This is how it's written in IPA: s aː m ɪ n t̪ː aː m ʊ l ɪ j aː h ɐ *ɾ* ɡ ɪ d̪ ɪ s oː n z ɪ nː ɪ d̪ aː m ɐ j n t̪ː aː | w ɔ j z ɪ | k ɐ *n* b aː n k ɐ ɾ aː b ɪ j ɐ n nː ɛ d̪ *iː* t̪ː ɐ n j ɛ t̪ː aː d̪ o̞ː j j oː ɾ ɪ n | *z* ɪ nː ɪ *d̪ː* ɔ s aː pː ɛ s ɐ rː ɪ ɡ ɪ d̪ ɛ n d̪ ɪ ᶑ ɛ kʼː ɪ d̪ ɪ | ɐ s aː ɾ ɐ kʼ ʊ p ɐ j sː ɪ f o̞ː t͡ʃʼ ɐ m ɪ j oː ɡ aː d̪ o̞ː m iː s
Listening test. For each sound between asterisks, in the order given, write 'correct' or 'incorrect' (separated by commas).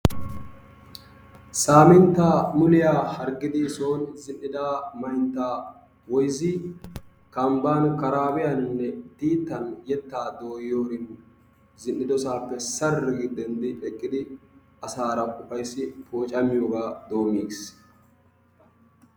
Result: correct, incorrect, correct, correct, incorrect